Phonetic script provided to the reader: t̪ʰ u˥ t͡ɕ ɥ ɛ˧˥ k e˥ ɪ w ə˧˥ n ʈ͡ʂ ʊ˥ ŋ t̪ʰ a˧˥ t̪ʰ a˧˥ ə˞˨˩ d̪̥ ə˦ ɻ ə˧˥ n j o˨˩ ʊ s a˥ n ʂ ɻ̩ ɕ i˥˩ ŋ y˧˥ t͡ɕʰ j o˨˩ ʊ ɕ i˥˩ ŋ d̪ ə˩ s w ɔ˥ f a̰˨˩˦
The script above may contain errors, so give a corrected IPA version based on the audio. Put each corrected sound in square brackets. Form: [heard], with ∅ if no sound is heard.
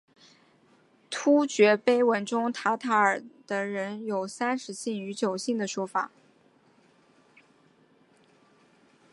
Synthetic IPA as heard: t̪ʰ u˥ t͡ɕ ɥ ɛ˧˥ [p] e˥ ɪ w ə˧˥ n ʈ͡ʂ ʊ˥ ŋ t̪ʰ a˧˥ t̪ʰ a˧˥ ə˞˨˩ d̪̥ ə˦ ɻ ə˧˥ n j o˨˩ ʊ s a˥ n ʂ ɻ̩ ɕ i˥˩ ŋ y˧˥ [t͡ɕ] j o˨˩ ʊ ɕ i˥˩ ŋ d̪ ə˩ [ʂ] w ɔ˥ f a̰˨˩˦